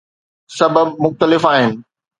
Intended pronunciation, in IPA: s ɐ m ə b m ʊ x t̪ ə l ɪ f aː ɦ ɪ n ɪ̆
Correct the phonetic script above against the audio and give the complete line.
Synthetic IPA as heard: s ɐ b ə b m ʊ x t̪ ə l ɪ f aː ɦ ɪ n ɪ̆